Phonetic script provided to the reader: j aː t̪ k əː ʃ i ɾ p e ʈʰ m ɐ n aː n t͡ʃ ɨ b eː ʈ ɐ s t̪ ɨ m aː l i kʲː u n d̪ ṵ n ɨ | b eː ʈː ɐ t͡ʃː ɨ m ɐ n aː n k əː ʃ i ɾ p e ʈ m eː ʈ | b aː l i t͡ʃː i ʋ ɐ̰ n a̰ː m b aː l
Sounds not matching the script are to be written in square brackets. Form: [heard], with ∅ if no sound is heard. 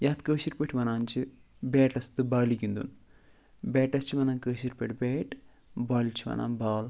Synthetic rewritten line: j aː t̪ k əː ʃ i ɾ p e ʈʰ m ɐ n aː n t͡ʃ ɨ b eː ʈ ɐ s t̪ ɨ [b] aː l i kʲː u n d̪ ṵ n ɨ | b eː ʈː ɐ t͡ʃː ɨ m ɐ n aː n k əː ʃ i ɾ p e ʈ [b] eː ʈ | b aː l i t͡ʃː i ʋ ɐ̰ n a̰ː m b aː l